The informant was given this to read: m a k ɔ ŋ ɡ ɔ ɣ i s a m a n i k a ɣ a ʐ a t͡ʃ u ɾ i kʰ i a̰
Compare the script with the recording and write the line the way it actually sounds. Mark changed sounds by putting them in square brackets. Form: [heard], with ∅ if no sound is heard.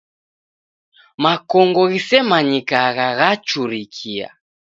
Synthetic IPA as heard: m a k ɔ ŋ ɡ ɔ ɣ i s [ɛ] m a [ɲ] i k a ɣ a [ɣ] a t͡ʃ u ɾ i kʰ i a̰